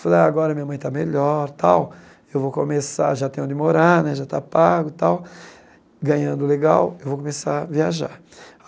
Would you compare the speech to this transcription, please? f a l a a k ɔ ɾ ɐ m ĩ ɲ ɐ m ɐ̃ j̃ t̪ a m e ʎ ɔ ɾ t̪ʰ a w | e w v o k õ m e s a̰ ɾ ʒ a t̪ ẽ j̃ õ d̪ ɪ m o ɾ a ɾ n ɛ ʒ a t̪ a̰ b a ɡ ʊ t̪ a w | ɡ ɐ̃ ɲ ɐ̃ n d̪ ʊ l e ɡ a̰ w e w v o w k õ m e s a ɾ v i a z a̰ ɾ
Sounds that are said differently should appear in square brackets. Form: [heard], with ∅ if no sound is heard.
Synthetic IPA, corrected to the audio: f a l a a [ɡ] ɔ ɾ ɐ m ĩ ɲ ɐ m ɐ̃ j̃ t̪ a m e ʎ ɔ ɾ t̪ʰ a w | e w v o k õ m e s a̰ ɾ ʒ a t̪ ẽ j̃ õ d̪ ɪ m o ɾ a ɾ n ɛ ʒ a t̪ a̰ [p] a ɡ ʊ t̪ a w | ɡ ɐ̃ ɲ ɐ̃ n d̪ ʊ l e ɡ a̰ w e w v o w k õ m e s a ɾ v i a [ʒ] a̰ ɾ